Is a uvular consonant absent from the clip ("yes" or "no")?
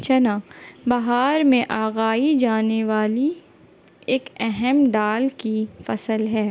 yes